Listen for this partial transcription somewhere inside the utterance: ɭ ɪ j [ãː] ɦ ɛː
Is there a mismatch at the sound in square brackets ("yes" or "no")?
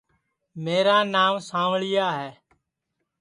yes